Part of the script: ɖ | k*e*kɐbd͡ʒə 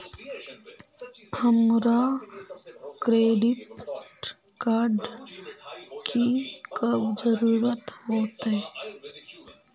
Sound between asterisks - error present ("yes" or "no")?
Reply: yes